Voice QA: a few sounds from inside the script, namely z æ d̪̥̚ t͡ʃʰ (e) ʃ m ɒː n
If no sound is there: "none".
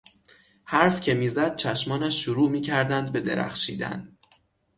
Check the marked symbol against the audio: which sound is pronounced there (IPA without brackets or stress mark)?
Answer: æ